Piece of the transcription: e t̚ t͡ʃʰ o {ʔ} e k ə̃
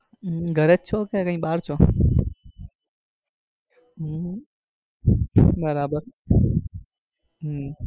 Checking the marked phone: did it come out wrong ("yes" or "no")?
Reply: yes